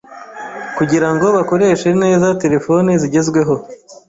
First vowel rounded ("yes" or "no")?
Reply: yes